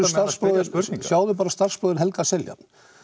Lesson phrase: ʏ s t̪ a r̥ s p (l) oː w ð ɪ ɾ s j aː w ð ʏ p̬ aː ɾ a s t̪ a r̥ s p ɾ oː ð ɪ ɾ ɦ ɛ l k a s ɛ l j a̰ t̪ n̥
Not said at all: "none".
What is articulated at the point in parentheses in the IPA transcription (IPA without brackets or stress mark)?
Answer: ɾ